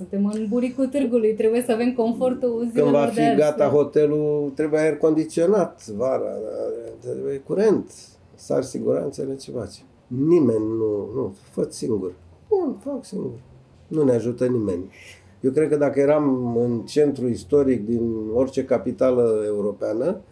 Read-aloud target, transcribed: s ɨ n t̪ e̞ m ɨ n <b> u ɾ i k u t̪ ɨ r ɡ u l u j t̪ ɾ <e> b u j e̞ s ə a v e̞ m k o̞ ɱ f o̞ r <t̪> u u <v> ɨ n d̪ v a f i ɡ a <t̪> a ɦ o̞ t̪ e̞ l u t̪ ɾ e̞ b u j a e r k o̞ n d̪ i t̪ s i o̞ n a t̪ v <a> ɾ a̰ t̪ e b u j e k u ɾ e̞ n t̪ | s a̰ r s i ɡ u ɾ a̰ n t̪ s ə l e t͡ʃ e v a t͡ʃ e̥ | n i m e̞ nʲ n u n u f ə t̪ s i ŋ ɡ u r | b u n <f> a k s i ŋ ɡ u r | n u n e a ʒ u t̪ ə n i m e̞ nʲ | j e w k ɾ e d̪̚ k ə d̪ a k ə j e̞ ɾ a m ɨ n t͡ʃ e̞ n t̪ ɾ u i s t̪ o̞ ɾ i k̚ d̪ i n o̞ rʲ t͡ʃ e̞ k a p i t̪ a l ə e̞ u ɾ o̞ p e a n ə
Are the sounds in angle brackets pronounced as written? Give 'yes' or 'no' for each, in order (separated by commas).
yes, yes, yes, no, yes, yes, yes